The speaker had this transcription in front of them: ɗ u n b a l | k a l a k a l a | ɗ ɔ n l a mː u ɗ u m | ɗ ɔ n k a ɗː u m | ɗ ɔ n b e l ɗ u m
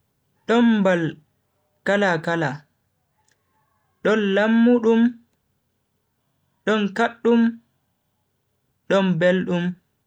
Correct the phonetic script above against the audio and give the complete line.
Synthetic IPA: ɗ ɔ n b a l | k a l a k a l a | ɗ ɔ n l a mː u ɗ u m | ɗ ɔ n k a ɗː u m | ɗ ɔ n b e l ɗ u m

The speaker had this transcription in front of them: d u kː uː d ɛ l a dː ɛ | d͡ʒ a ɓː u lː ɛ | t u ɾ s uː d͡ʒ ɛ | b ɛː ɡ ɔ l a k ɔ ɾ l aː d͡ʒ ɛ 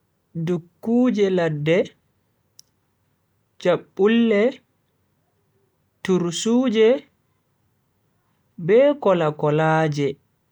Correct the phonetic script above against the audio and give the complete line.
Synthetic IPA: d u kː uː d͡ʒ ɛ l a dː ɛ | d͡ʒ a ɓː u lː ɛ | t u ɾ s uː d͡ʒ ɛ | b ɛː k ɔ l a k ɔ l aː d͡ʒ ɛ

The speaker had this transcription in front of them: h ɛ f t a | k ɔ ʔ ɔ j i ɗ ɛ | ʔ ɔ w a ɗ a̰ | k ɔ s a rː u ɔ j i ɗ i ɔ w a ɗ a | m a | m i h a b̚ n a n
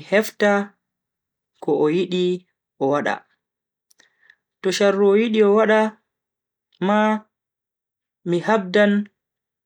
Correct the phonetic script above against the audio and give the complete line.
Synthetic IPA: h ɛ f t a | k ɔ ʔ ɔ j i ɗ i | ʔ ɔ w a ɗ a̰ | t ɔ ʃ a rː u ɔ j i ɗ i ɔ w a ɗ a | m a | m i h a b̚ d a n

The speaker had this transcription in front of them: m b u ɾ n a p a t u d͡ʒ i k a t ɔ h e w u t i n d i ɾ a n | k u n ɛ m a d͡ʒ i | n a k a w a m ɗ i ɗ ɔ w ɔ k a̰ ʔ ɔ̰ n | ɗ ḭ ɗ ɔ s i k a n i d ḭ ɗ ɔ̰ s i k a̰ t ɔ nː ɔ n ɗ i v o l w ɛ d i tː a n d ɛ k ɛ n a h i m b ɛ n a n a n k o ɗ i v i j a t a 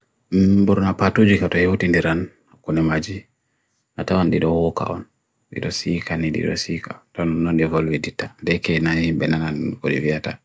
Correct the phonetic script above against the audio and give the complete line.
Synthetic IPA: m b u ɾ n a p a t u d͡ʒ i k a t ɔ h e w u t i n d i ɾ a n | k u n ɛ m a d͡ʒ i | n a t a w a n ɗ i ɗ ɔ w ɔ k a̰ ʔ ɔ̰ n | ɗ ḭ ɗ ɔ s i k a n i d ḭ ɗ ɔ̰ s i k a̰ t ɔ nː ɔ n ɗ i v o l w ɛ d i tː a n d ɛ k ɛ n a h i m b ɛ n a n a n k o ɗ i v i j a t a

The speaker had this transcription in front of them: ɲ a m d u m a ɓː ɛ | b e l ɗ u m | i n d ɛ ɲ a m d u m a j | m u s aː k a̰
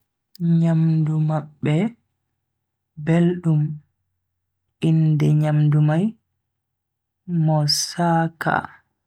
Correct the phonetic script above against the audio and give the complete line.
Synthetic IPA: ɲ a m d u m a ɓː ɛ | b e l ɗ u m | i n d ɛ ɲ a m d u m a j | m ɔ s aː k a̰

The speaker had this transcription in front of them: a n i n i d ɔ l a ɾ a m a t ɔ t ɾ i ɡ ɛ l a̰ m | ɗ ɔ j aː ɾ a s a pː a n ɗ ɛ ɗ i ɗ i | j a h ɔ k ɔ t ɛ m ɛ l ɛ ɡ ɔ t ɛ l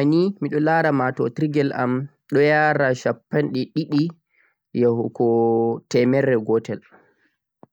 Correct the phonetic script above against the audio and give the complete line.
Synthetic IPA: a n i m i ɗ ɔ l a ɾ a m a t ɔ t ɾ i ɡ ɛ l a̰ m | ɗ ɔ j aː ɾ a ʃ a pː a n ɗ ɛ ɗ i ɗ i | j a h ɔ k ɔ t ɛ m ɛ ɾ ɛ ɡ ɔ t ɛ l

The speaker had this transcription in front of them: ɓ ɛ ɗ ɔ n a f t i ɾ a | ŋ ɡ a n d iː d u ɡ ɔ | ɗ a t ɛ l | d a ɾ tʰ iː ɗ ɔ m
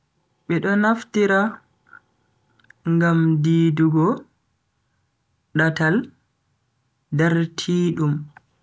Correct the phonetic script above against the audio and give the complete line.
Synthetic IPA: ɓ ɛ ɗ ɔ n a f t i ɾ a | ŋ ɡ a m d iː d u ɡ ɔ | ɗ a t a l | d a ɾ tʰ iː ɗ u m

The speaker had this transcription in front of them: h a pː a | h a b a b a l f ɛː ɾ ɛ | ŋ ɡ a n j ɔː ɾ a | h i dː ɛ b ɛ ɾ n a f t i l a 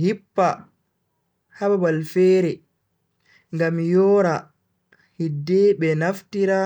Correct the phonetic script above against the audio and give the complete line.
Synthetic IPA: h i pː a | h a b a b a l f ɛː ɾ ɛ | ŋ ɡ a m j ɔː ɾ a | h i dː ɛ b ɛ n a f t i ɾ a

